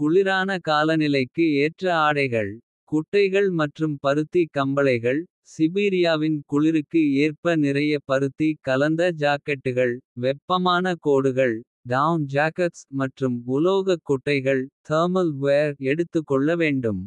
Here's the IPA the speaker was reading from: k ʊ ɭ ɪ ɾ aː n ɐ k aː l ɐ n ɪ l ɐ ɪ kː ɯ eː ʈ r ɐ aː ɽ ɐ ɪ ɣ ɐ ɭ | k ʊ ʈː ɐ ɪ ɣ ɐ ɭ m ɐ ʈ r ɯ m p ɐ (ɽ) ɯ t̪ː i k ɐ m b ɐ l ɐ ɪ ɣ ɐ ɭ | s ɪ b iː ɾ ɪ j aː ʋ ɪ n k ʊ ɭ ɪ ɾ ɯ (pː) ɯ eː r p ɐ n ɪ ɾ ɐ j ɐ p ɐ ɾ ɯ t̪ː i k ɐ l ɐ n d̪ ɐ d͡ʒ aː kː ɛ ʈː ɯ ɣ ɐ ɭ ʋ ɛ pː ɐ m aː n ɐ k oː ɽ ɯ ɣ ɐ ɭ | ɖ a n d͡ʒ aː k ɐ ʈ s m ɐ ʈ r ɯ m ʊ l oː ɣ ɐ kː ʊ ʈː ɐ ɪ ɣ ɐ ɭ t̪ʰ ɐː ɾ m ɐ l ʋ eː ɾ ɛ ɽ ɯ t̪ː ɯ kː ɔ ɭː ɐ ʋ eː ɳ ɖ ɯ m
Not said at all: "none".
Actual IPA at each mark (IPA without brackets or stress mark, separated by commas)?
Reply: ɾ, kː